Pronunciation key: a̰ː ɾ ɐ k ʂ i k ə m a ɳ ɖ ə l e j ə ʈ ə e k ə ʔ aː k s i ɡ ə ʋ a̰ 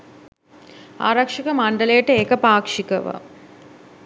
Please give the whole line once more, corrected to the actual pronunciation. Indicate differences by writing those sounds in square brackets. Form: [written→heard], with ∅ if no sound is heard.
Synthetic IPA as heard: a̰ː ɾ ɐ k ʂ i k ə m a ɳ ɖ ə l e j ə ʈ ə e k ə [ʔ→p] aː k [s→ʂ] i [ɡ→k] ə ʋ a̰